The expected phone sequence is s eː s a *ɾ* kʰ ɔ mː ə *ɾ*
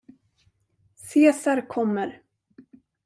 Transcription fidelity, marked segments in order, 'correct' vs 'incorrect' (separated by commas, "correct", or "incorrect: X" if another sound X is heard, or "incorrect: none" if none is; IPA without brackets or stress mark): correct, correct